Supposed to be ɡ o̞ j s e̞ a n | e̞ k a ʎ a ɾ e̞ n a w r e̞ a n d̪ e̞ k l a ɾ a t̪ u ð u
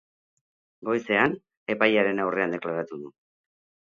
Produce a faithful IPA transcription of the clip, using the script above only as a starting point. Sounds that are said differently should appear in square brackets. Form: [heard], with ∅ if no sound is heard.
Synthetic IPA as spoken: ɡ o̞ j s e̞ a n | e̞ [p] a [j] a ɾ e̞ n a w r e̞ a n d̪ e̞ k l a ɾ a t̪ u ð u